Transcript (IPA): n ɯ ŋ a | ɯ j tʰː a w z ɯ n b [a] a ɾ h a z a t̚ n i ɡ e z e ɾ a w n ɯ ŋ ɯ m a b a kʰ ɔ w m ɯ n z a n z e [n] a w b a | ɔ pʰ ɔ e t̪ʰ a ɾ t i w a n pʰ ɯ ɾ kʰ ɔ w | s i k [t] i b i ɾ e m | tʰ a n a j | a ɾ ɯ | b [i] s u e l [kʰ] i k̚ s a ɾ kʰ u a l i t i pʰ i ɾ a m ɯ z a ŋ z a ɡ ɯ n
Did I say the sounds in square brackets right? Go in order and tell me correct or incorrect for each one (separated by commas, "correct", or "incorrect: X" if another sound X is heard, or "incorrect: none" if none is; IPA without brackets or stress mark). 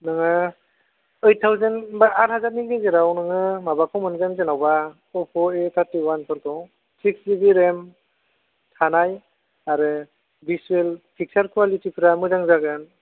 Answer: correct, correct, incorrect: s, correct, incorrect: pʰ